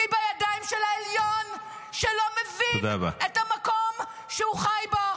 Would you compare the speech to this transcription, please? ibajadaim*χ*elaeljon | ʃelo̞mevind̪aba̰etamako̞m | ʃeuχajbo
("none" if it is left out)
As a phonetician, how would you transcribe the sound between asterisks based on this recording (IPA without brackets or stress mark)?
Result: ʃ